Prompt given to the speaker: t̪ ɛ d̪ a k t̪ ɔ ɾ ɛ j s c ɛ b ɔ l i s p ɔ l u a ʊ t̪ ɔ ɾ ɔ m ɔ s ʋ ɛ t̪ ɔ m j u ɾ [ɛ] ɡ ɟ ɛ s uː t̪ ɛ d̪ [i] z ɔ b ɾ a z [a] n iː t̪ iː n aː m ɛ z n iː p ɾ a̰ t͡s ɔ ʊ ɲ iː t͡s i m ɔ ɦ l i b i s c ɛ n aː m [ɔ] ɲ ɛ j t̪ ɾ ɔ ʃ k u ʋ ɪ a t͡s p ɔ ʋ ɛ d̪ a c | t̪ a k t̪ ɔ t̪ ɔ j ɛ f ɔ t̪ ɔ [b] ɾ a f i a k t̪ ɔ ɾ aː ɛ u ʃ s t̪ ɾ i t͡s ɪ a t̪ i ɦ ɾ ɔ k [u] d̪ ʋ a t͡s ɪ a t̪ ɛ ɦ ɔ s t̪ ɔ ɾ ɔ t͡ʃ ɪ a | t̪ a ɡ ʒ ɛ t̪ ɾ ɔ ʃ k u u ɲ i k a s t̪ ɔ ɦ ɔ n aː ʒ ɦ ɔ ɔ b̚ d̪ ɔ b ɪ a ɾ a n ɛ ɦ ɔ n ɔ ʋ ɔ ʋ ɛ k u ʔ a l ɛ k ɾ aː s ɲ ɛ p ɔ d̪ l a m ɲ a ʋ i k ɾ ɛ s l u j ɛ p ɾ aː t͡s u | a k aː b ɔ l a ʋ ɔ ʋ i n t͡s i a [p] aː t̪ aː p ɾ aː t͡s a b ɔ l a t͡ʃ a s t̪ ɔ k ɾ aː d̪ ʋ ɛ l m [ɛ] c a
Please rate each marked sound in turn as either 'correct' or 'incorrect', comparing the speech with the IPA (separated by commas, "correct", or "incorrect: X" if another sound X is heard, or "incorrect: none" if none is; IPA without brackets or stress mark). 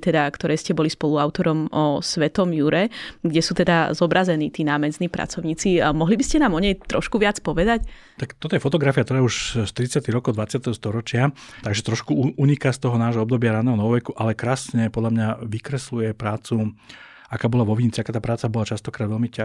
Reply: correct, incorrect: a, incorrect: ɛ, correct, incorrect: ɡ, incorrect: ɔ, incorrect: k, incorrect: i